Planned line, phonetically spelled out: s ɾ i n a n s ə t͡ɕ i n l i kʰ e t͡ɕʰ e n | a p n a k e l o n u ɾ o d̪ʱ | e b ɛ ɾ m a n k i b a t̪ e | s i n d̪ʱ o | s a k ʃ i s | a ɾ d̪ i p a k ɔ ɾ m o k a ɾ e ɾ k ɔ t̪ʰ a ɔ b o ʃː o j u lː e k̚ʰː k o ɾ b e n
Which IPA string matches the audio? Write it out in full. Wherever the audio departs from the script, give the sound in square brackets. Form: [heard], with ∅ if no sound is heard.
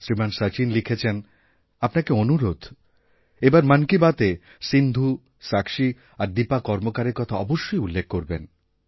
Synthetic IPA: s ɾ i [m] a n s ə t͡ɕ i n l i kʰ e t͡ɕʰ e n | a p n a k e [∅] o n u ɾ o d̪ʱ | e b [a] ɾ m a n k i b a t̪ e | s i n d̪ʱ [u] | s a k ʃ i [∅] | a ɾ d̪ i p a k ɔ ɾ m o k a ɾ e ɾ k ɔ t̪ʰ a ɔ b o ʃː o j u lː e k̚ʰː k o ɾ b e n